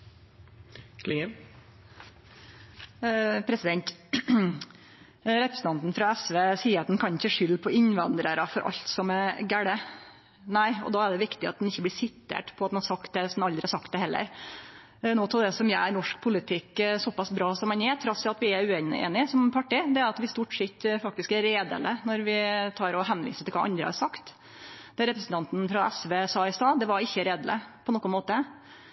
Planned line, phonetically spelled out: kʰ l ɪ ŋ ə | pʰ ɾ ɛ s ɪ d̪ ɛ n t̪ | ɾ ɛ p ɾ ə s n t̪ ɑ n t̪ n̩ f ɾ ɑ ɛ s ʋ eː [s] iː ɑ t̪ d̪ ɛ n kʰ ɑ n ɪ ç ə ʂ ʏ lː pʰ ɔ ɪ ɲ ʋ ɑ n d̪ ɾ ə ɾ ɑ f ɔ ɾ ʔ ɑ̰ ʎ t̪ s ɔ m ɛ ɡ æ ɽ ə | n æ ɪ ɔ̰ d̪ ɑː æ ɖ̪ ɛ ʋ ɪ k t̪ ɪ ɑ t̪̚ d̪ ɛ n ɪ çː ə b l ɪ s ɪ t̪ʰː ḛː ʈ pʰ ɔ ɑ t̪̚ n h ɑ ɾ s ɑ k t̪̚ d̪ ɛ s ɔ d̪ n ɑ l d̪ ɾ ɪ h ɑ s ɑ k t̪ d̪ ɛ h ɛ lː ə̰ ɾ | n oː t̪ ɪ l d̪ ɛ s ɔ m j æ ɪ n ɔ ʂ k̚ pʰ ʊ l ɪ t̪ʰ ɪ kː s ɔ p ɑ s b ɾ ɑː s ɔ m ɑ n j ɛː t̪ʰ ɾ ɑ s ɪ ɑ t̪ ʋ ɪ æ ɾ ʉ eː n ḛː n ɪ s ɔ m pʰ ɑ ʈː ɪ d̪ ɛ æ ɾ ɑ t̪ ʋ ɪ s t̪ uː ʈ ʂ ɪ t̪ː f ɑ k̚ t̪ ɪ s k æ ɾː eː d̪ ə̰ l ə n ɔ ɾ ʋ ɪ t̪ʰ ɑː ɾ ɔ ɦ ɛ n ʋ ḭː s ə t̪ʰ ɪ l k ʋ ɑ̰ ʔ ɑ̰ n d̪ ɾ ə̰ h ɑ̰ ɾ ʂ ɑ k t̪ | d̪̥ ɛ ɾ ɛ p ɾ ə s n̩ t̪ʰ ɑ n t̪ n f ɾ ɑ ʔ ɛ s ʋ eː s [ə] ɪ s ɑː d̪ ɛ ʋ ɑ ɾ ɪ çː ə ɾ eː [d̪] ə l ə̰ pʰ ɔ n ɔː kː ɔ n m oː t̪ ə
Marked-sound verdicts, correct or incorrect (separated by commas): correct, incorrect, correct